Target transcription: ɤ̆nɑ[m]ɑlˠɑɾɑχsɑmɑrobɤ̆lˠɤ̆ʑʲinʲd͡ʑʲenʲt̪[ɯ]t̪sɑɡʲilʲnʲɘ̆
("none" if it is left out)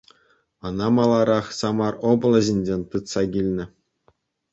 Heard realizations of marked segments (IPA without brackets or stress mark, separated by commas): m, ɯ